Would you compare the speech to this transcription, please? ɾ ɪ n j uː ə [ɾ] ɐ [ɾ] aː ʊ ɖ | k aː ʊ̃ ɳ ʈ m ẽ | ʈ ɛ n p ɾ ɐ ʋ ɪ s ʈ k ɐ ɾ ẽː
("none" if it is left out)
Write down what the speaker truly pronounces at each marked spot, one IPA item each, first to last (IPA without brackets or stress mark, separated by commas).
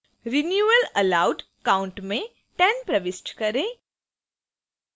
l, l